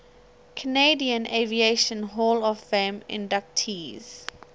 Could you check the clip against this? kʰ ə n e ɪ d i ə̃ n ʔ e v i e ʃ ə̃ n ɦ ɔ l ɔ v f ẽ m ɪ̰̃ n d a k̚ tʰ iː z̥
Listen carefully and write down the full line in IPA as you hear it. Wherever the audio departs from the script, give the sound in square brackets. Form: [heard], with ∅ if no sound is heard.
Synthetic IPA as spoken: kʰ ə n e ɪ d i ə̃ n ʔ e v i e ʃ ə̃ n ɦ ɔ l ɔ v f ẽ m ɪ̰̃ n d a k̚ tʰ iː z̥